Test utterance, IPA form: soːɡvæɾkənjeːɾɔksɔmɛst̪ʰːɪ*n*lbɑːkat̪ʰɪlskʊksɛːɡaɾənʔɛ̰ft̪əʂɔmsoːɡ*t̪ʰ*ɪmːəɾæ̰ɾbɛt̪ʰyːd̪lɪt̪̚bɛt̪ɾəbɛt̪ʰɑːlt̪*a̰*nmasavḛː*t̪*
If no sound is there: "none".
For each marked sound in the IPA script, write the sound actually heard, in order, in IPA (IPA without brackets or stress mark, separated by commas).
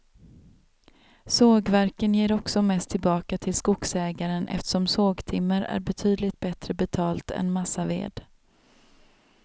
none, t̪ʰ, ɛ̰, d̪